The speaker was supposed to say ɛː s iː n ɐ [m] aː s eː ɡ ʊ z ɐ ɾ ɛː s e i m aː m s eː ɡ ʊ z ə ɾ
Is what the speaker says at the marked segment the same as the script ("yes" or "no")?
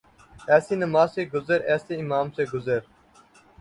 yes